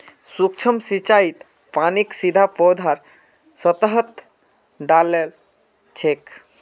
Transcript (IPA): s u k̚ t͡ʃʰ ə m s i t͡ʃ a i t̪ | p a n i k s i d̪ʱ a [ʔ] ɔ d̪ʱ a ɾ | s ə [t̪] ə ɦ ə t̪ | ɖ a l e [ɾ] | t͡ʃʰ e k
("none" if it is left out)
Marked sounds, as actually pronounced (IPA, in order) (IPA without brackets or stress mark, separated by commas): p, t̪, l